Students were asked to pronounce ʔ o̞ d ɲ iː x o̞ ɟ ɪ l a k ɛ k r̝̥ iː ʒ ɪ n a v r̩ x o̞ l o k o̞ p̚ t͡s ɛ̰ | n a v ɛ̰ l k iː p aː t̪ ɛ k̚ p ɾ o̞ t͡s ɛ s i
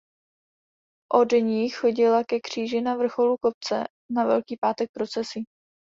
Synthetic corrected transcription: ʔ o̞ d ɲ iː x o̞ ɟ ɪ l a k ɛ k r̝̥ iː ʒ ɪ n a v r̩ x o̞ l u k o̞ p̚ t͡s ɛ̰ | n a v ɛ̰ l k iː p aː t̪ ɛ k̚ p ɾ o̞ t͡s ɛ s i